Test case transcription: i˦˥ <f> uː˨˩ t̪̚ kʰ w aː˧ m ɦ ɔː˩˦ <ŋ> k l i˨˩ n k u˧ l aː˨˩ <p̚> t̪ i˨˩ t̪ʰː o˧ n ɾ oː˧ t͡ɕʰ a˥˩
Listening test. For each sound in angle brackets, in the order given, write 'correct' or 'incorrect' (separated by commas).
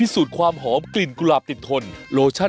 incorrect, incorrect, correct